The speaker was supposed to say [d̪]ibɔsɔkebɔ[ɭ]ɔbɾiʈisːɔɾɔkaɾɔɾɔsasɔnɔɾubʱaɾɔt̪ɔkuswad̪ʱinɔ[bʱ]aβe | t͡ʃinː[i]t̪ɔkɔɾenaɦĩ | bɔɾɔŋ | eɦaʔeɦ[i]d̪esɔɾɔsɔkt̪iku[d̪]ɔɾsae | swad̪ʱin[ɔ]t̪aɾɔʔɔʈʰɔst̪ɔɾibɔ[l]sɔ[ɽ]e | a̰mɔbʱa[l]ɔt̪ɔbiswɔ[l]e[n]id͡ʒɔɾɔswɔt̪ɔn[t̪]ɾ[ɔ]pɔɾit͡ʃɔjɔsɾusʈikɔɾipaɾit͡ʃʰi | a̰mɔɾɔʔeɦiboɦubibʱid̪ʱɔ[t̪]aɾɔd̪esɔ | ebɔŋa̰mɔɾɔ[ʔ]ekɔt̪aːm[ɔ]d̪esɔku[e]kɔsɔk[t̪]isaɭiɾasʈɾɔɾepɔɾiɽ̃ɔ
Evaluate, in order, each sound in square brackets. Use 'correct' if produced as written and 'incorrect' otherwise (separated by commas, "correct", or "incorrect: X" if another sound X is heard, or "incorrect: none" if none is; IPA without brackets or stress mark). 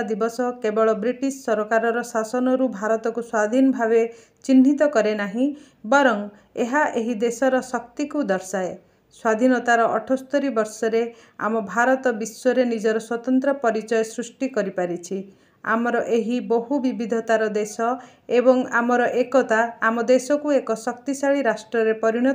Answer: correct, correct, correct, correct, correct, correct, correct, incorrect: ɾ, incorrect: ɾ, incorrect: ɾ, incorrect: ɾ, correct, correct, correct, correct, correct, correct, correct, correct